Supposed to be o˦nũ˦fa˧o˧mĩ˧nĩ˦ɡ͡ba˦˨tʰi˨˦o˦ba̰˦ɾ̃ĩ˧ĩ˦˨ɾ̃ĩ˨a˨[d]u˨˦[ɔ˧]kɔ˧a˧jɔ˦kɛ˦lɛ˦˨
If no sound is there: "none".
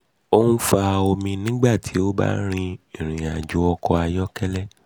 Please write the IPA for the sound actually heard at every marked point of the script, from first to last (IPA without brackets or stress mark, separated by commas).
d͡ʒ, ɔ˧